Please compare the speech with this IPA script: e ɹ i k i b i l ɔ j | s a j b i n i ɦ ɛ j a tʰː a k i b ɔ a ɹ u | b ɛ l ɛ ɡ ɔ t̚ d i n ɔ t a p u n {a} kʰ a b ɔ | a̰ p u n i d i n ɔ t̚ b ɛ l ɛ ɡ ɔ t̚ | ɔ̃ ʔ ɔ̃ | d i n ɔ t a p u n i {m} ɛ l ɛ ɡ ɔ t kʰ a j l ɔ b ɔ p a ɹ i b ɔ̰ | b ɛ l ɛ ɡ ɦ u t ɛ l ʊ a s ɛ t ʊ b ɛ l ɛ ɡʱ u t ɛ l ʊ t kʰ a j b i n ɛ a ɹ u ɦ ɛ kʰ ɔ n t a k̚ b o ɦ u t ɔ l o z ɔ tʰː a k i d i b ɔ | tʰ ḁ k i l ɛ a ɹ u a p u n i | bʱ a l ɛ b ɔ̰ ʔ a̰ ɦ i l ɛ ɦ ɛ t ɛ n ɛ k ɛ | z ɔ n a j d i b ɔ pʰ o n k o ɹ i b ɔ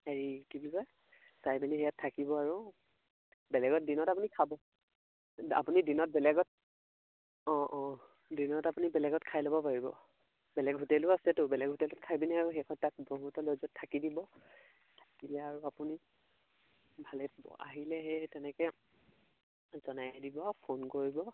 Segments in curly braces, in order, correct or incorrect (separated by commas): incorrect, incorrect